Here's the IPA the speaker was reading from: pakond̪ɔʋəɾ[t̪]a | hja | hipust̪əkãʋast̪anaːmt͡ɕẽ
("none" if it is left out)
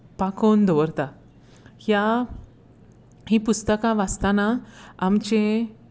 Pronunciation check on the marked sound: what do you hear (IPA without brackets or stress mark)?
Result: t̪